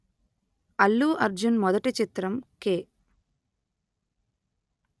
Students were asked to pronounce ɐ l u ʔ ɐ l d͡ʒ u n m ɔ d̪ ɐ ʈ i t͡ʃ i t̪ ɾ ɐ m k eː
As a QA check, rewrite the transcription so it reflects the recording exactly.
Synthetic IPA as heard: ɐ lː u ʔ ɐ ɾ d͡ʒ u n m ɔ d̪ ɐ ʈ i t͡ʃ i t̪ ɾ ɐ m k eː